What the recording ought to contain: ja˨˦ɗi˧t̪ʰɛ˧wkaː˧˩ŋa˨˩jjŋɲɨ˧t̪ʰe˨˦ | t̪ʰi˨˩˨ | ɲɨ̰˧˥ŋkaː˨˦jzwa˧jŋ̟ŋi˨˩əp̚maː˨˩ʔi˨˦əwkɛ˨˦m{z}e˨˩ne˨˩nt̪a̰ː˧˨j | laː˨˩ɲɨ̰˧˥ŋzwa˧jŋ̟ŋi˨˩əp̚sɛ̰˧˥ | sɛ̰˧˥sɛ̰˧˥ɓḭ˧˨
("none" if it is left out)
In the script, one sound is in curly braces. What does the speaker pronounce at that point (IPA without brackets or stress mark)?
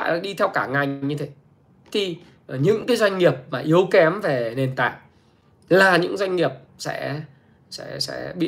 v